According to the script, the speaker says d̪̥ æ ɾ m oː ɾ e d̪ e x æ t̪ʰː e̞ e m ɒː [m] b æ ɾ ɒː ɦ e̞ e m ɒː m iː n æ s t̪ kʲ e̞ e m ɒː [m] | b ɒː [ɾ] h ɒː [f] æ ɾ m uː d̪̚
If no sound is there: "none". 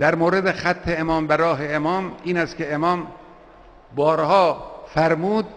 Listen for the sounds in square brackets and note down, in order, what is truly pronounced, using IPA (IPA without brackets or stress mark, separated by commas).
m, m, ɾ, f